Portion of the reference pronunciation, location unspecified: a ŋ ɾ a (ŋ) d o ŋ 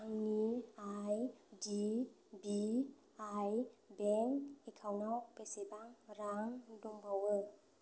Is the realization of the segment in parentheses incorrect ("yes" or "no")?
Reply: no